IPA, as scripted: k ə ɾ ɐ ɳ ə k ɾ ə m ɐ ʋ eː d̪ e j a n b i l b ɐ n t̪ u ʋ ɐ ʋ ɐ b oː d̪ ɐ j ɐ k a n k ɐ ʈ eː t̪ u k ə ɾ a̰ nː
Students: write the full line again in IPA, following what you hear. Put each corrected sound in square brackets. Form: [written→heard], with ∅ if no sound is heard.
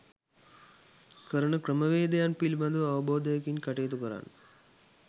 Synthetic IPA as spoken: k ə ɾ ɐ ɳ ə k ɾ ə m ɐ ʋ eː d̪ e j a n [b→p] i l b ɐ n [t̪→d̪] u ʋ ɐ ʋ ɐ b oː d̪ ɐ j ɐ k [a→i] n k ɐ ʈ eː t̪ u k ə ɾ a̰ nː